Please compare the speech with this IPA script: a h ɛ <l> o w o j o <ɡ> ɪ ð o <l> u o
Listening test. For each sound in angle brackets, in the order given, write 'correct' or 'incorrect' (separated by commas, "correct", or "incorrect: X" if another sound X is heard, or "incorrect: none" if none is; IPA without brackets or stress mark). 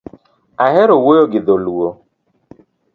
incorrect: ɾ, correct, correct